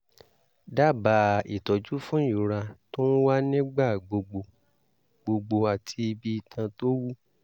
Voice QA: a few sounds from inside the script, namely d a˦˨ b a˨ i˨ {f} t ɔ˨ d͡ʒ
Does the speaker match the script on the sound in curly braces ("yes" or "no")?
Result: no